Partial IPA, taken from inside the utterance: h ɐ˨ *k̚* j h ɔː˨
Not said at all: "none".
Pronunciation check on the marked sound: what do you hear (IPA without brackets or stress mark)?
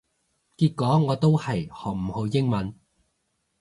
none